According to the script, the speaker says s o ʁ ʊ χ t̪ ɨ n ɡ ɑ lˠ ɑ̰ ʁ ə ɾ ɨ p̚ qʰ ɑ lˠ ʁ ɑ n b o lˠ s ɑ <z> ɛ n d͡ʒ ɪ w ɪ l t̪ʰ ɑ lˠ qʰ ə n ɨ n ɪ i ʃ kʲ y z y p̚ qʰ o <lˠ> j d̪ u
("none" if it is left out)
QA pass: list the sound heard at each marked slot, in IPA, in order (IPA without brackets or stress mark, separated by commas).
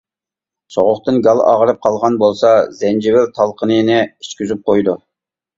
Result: z, none